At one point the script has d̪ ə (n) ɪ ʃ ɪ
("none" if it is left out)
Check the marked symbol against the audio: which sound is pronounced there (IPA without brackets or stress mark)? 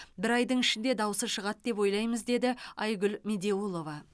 ɴ